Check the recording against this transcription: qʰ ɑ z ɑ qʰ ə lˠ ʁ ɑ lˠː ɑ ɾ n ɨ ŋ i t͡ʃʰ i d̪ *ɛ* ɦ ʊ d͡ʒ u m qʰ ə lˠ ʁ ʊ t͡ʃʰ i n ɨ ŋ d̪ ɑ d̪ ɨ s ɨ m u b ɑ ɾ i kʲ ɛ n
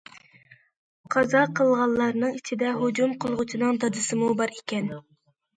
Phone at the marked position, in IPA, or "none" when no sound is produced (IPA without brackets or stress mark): ɛ